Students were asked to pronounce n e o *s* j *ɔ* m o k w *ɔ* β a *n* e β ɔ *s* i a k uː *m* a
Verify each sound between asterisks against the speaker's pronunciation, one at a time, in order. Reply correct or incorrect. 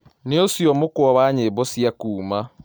correct, correct, correct, incorrect: ɲ, correct, correct

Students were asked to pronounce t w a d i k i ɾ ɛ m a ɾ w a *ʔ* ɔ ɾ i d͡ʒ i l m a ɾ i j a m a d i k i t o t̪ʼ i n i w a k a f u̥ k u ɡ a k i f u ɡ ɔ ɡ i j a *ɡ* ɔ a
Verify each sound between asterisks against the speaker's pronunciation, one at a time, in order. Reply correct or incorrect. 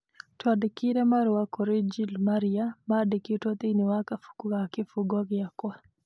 incorrect: k, incorrect: k

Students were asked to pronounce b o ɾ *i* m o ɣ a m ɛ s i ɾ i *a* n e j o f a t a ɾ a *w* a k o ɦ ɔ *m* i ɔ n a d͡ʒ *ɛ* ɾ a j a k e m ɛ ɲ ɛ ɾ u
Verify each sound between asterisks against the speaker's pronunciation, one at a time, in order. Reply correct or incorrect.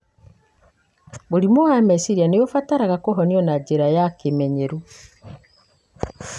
correct, correct, incorrect: ɣ, incorrect: n, incorrect: e

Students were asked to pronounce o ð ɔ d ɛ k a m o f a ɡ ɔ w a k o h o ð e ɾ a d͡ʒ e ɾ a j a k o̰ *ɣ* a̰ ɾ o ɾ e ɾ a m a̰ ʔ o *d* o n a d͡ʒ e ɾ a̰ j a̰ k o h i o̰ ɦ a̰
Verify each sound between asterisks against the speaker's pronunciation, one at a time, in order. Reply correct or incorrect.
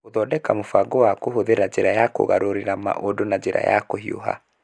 correct, correct

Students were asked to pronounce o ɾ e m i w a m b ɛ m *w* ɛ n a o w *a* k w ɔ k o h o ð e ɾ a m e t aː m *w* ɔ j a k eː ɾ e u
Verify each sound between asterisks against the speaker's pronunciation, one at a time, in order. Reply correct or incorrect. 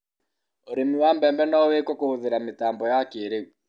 incorrect: b, incorrect: e, incorrect: b

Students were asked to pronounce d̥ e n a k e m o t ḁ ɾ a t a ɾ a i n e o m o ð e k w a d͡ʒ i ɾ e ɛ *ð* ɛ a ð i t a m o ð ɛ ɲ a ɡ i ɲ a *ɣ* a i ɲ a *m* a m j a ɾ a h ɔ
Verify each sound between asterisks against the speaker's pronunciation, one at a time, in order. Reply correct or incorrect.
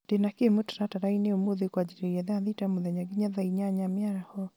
correct, incorrect: ð, incorrect: ɲ

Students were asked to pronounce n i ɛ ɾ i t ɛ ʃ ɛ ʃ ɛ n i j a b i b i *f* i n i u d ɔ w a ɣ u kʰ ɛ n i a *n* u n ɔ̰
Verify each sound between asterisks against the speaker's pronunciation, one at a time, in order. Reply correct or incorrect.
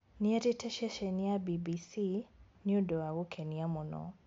incorrect: s, incorrect: m

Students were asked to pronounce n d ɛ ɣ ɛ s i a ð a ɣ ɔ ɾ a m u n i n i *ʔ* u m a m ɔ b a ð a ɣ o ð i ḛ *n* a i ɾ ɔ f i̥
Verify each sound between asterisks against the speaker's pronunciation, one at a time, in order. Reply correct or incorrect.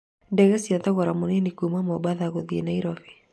incorrect: k, correct

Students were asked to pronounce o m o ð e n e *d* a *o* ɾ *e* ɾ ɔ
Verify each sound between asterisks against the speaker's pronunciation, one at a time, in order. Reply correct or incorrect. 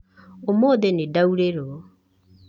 correct, incorrect: u, correct

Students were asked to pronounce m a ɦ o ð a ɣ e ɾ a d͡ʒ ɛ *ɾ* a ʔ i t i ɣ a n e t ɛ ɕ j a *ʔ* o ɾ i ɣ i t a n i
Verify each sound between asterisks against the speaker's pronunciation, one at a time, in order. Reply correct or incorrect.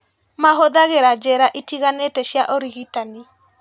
correct, correct

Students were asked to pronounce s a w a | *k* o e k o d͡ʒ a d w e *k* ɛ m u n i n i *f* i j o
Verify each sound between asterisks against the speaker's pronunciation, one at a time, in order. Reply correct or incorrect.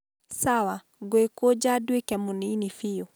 incorrect: ɡ, correct, correct

